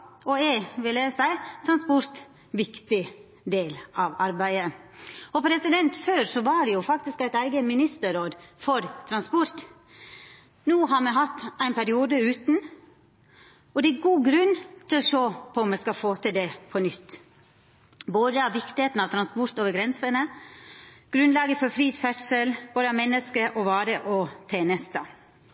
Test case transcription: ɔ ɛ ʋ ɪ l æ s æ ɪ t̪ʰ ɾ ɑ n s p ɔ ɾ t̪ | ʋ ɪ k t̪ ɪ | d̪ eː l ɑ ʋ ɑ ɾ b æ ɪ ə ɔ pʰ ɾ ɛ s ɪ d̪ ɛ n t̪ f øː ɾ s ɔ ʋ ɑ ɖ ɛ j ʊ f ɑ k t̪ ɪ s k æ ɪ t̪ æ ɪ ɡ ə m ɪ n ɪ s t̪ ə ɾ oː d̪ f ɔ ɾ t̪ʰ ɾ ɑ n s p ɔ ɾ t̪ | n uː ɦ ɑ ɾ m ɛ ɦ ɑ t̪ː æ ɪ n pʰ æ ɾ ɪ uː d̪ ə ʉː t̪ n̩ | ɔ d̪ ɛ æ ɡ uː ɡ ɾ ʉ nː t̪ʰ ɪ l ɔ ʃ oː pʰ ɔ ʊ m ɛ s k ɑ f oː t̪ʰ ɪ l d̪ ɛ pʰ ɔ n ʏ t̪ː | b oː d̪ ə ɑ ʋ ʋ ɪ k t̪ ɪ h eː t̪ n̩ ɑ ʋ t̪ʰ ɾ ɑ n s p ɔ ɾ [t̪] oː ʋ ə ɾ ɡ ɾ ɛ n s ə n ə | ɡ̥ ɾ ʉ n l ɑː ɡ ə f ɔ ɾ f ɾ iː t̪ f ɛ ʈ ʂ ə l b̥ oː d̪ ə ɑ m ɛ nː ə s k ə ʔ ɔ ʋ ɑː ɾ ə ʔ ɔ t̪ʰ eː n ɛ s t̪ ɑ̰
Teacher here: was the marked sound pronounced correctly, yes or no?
yes